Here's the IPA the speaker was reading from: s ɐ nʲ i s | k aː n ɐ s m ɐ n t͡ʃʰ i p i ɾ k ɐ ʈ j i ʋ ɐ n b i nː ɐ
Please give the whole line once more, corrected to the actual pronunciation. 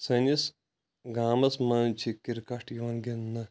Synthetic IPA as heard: s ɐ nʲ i s | ɡ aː m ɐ s m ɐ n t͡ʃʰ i k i ɾ k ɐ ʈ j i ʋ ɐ n ɡ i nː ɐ